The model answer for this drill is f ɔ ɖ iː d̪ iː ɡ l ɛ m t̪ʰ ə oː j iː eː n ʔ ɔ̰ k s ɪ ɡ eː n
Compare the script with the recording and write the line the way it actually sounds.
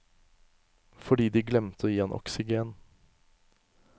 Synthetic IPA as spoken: f ɔ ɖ iː d̪ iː ɡ l ɛ m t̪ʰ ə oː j iː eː n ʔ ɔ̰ k s ɪ ɡ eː n